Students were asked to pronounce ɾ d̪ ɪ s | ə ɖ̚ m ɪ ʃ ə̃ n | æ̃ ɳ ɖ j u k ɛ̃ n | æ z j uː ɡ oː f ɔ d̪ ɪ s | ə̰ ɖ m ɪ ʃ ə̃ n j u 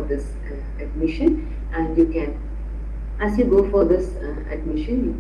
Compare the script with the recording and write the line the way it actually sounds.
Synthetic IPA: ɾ d̪ ɪ s | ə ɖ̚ m ɪ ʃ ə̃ n | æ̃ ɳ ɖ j u k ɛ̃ n | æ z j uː ɡ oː f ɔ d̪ ɪ s | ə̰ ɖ m ɪ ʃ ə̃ n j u